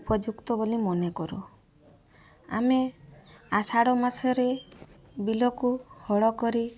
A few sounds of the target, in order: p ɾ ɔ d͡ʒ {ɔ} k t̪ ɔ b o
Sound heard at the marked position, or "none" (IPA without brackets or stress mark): u